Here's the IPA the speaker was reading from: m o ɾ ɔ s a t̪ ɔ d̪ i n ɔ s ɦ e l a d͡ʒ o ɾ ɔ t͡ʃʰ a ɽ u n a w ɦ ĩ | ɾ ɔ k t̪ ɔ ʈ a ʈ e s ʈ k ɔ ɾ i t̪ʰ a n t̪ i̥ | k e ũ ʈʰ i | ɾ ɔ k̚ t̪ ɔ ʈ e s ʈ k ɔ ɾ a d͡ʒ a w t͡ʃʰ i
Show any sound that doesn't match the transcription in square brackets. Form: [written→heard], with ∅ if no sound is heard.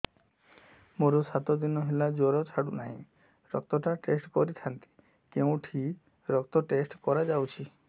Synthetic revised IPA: m o ɾ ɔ s a t̪ ɔ d̪ i n ɔ [s→∅] ɦ e l a d͡ʒ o ɾ ɔ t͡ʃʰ a ɽ u n a [w→∅] ɦ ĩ | ɾ ɔ k t̪ ɔ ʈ a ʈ e s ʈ k ɔ ɾ i t̪ʰ a n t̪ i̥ | k e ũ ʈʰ i | ɾ ɔ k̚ t̪ ɔ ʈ e s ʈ k ɔ ɾ a d͡ʒ a w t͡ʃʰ i